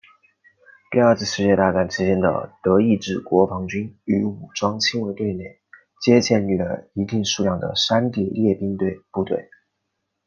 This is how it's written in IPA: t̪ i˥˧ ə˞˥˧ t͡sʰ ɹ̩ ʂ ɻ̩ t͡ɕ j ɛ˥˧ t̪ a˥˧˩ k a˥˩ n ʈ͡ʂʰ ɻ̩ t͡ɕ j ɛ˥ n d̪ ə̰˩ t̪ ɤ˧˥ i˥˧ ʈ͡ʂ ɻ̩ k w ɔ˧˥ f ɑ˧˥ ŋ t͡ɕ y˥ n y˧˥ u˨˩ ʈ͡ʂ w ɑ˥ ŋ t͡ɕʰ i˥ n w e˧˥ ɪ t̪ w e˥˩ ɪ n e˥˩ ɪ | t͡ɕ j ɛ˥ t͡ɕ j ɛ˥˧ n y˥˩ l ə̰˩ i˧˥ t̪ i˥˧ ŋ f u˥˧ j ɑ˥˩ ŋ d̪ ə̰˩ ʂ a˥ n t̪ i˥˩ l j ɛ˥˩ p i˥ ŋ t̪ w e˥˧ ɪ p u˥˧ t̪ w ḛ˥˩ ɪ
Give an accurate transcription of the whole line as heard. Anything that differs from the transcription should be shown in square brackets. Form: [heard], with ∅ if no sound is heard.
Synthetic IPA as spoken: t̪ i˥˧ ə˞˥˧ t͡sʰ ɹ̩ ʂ ɻ̩ t͡ɕ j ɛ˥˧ t̪ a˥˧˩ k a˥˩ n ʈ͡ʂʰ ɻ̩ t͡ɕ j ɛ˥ n d̪ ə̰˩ t̪ ɤ˧˥ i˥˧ ʈ͡ʂ ɻ̩ k w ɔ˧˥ f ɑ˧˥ ŋ t͡ɕ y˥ n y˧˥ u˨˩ ʈ͡ʂ w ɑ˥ ŋ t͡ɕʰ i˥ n w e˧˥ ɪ t̪ w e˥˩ ɪ n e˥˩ ɪ | t͡ɕ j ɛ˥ t͡ɕ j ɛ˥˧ n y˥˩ l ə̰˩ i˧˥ t̪ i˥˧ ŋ [ʂ] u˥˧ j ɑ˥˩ ŋ d̪ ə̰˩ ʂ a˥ n t̪ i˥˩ l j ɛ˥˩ p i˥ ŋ t̪ w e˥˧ ɪ p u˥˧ t̪ w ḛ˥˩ ɪ